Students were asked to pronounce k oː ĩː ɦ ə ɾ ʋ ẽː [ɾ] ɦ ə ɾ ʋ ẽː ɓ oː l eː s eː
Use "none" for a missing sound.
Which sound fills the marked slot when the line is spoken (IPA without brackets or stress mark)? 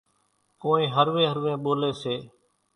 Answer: none